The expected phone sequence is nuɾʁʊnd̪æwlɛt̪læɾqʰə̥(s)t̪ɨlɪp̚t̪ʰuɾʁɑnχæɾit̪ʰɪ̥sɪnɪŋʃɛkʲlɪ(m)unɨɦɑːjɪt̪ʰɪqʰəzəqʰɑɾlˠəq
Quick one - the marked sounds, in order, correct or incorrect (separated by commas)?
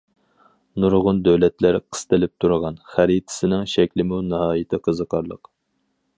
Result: correct, correct